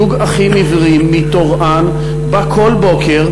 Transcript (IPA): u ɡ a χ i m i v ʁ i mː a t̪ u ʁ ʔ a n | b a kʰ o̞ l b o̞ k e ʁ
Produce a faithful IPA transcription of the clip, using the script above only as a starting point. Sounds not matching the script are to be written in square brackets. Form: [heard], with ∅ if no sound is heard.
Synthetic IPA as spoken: u ɡ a χ i m i v ʁ i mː [i] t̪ [o] ʁ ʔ a n | b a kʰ o̞ l b o̞ k e ʁ